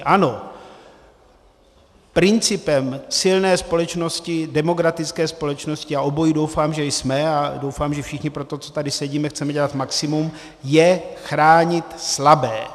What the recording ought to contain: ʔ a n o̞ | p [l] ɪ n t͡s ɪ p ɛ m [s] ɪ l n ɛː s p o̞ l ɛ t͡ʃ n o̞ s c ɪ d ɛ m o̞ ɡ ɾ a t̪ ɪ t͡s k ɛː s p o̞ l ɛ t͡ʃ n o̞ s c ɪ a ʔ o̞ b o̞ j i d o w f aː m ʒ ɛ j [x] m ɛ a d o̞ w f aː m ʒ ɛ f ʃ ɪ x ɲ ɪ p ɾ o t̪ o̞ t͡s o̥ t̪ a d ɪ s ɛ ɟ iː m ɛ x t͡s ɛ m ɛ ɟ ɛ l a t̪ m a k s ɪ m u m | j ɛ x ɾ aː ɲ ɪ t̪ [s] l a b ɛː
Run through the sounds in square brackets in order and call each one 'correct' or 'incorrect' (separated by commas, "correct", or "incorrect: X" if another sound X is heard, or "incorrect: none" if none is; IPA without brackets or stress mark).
incorrect: ɾ, correct, incorrect: s, correct